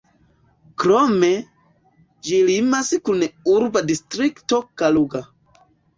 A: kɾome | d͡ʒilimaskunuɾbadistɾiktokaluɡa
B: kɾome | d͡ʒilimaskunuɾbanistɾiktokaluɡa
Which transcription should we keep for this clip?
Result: A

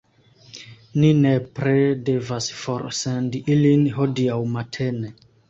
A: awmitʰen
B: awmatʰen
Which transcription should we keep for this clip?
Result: B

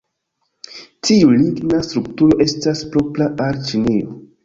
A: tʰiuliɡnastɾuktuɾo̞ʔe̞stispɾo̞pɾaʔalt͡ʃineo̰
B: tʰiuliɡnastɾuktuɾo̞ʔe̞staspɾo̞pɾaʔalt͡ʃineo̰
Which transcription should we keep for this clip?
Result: B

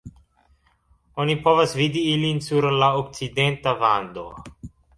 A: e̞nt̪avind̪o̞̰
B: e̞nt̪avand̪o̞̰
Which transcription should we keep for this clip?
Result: B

